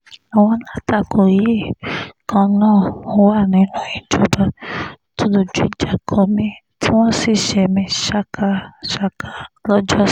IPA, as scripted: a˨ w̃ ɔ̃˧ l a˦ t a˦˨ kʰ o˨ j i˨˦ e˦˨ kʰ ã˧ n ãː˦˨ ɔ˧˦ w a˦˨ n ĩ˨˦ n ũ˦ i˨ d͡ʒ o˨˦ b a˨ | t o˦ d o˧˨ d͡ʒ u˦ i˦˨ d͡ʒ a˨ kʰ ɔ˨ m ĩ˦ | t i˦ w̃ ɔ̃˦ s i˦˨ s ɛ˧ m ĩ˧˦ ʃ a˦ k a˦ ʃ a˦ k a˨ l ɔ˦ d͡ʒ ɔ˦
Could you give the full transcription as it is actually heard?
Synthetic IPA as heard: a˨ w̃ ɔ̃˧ l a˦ t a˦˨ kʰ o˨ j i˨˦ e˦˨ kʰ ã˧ n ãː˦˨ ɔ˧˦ w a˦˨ n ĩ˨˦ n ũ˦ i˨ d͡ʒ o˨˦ b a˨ | t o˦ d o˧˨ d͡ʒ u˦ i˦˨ d͡ʒ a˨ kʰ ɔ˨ m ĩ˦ | t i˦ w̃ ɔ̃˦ s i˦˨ ʃ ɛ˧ m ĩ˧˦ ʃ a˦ k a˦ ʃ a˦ k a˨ l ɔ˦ d͡ʒ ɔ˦